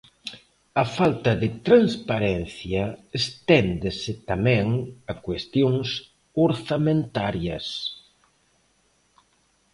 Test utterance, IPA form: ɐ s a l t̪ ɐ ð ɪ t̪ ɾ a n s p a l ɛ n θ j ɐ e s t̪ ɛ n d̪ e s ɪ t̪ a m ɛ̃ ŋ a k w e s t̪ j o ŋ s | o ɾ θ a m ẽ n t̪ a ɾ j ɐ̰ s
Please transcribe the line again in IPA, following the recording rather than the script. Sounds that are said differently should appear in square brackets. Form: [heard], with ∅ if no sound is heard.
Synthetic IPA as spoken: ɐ [f] a l t̪ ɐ ð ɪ t̪ ɾ a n s p a [ɾ] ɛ n θ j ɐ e s t̪ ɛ n d̪ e s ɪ t̪ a m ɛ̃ ŋ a k w e s t̪ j o ŋ s | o ɾ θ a m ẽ n t̪ a ɾ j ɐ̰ s